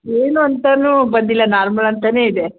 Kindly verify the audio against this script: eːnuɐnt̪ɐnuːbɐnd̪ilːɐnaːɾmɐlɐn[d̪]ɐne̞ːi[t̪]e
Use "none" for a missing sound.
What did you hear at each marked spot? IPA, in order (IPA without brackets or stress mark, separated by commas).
t̪, d̪